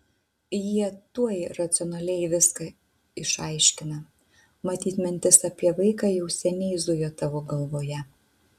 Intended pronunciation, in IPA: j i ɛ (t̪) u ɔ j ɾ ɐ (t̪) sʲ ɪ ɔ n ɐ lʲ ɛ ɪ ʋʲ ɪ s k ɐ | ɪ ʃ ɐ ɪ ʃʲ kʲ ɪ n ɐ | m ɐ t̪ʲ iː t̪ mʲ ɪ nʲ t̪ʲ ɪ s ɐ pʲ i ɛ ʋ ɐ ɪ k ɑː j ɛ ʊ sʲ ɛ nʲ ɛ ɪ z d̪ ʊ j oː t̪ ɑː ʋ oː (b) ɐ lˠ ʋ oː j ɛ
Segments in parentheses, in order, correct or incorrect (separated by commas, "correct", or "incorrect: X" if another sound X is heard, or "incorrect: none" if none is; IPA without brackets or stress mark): correct, correct, incorrect: ɡ